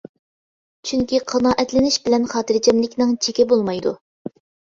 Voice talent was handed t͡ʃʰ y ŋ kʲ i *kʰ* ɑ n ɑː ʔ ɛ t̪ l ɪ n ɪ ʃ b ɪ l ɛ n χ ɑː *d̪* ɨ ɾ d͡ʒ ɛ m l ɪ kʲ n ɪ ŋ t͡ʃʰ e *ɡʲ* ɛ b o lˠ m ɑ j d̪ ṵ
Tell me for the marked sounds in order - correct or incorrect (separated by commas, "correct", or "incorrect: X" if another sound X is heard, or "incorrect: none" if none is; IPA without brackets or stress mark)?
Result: incorrect: qʰ, incorrect: t̪, incorrect: kʲ